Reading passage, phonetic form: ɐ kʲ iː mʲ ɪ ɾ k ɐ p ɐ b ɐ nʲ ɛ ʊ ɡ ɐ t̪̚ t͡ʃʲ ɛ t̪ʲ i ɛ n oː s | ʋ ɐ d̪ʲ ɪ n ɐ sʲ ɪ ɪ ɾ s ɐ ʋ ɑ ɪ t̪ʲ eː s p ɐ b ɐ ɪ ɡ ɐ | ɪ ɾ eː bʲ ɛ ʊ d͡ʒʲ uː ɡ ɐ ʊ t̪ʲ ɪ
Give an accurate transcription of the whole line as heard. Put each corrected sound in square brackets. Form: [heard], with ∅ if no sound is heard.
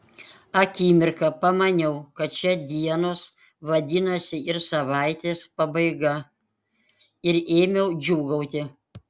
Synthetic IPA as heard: ɐ kʲ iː mʲ ɪ ɾ k ɐ p ɐ [m] ɐ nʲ ɛ ʊ [k] ɐ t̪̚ t͡ʃʲ ɛ [d̪ʲ] i ɛ n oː s | ʋ ɐ d̪ʲ ɪ n ɐ sʲ ɪ ɪ ɾ s ɐ ʋ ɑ ɪ t̪ʲ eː s p ɐ b ɐ ɪ ɡ ɐ | ɪ ɾ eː [mʲ] ɛ ʊ d͡ʒʲ uː ɡ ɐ ʊ t̪ʲ ɪ